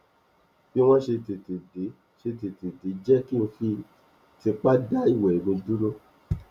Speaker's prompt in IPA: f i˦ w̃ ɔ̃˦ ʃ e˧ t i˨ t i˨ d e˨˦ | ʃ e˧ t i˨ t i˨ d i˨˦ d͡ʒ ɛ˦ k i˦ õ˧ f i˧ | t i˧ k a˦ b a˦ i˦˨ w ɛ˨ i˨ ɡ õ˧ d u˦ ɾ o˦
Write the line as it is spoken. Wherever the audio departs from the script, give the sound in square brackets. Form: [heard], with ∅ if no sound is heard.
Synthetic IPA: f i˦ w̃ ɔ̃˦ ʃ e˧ t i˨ t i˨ d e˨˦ | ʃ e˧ t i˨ t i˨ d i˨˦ d͡ʒ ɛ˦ k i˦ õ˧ f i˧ | t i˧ [k͡p] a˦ [d] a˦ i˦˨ w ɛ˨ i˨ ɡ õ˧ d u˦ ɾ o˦